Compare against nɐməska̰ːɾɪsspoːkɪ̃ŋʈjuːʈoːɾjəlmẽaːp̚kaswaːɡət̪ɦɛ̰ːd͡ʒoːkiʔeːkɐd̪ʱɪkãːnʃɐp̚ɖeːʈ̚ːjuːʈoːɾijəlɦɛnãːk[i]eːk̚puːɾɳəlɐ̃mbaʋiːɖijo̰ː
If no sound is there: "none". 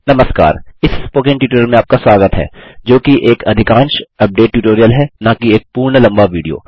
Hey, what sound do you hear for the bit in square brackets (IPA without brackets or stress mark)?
i